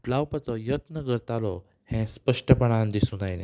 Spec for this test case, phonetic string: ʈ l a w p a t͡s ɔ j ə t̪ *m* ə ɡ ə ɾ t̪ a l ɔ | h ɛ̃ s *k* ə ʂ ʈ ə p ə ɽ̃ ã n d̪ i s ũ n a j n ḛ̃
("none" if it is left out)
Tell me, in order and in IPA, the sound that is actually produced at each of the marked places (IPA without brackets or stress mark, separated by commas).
n, p